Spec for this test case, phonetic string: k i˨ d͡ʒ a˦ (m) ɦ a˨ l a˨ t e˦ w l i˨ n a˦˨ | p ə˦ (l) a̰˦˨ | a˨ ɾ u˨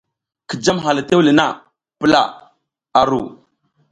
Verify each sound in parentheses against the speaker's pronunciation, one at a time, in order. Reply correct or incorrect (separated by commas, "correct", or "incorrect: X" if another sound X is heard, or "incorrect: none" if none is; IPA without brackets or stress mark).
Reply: correct, correct